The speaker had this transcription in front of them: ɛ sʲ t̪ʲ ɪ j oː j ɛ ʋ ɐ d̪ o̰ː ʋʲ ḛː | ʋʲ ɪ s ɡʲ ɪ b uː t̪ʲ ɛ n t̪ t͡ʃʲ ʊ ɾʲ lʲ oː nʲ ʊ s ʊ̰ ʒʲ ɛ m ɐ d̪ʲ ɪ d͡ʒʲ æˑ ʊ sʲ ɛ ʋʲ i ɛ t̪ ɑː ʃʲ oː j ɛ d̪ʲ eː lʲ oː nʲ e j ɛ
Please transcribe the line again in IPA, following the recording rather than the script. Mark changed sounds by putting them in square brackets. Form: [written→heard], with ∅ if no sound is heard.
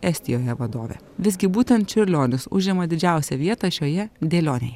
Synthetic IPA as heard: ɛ sʲ t̪ʲ ɪ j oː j ɛ ʋ ɐ d̪ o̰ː ʋʲ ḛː | ʋʲ ɪ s ɡʲ ɪ b uː t̪ʲ ɛ n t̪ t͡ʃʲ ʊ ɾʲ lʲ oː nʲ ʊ s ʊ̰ ʒʲ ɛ m ɐ d̪ʲ ɪ d͡ʒʲ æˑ ʊ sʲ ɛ ʋʲ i ɛ t̪ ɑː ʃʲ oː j ɛ d̪ʲ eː lʲ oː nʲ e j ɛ

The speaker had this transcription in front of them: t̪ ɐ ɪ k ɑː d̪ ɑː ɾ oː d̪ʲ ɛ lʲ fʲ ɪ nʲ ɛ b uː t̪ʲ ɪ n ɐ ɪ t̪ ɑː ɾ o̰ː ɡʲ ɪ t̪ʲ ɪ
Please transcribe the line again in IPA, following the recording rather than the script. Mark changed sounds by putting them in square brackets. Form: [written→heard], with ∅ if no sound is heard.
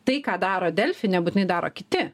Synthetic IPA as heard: t̪ ɐ ɪ k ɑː d̪ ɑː ɾ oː d̪ʲ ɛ lʲ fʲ ɪ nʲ ɛ b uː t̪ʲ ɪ n ɐ ɪ [t̪→d̪] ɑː ɾ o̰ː [ɡʲ→kʲ] ɪ t̪ʲ ɪ

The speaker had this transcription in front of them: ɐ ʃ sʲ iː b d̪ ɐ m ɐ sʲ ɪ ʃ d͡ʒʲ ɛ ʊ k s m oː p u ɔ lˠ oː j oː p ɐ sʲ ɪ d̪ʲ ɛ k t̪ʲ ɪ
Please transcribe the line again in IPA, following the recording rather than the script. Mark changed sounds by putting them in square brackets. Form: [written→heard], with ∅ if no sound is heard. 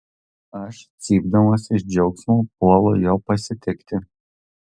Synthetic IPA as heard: ɐ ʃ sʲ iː b d̪ ɐ m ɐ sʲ ɪ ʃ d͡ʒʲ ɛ ʊ k s m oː p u ɔ lˠ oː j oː p ɐ sʲ ɪ [d̪ʲ→t̪ʲ] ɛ k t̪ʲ ɪ

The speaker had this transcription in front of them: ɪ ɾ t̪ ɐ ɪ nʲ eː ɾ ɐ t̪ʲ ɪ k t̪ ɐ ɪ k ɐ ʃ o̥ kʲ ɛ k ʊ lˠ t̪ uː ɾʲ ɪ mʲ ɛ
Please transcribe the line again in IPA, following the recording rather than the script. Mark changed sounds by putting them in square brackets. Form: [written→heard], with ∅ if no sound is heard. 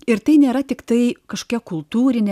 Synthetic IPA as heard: ɪ ɾ t̪ ɐ ɪ nʲ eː ɾ ɐ t̪ʲ ɪ k t̪ ɐ ɪ k ɐ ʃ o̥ kʲ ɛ k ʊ lˠ t̪ uː ɾʲ ɪ [mʲ→nʲ] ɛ

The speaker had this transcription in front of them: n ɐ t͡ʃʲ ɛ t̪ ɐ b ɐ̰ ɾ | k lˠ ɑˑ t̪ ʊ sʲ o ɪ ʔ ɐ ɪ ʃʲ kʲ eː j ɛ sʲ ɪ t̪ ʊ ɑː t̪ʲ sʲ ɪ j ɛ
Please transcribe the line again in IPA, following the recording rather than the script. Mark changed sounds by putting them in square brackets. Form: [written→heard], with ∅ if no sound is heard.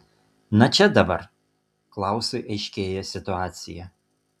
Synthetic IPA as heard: n ɐ t͡ʃʲ ɛ [t̪→d̪] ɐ b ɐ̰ ɾ | k lˠ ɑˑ [t̪→∅] ʊ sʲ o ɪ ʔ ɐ ɪ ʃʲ kʲ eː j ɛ sʲ ɪ t̪ ʊ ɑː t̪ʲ sʲ ɪ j ɛ

